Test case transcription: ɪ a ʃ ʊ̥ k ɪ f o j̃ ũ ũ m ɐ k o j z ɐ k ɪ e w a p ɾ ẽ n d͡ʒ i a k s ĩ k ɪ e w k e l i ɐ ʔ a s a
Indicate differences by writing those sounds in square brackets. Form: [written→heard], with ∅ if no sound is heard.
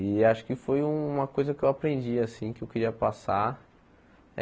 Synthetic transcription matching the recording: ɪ a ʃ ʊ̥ k ɪ f o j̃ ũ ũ m ɐ k o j z ɐ k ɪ e w a p ɾ ẽ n d͡ʒ i a [k→∅] s ĩ k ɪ e w k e [l→ɾ] i ɐ [ʔ→p] a s a